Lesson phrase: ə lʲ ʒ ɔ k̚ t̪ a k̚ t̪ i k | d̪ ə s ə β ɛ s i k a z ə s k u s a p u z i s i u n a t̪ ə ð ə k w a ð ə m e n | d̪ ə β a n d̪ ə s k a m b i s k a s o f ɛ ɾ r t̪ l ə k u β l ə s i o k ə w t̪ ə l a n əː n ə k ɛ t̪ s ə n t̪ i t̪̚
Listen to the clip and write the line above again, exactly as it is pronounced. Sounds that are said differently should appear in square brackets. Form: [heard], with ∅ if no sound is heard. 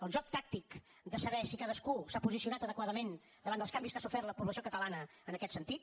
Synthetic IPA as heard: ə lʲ ʒ ɔ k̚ t̪ a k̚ t̪ i k | d̪ ə s ə β ɛ s i k a [ð] ə s k u s a p u z i s i u n a t̪ ə ð ə k w a ð ə m e n | d̪ ə β a n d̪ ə s k a m b i s k a s [u] f ɛ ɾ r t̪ l ə [p] u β l ə s i o k ə [∅] t̪ ə l a n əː n ə k ɛ t̪ s ə n t̪ i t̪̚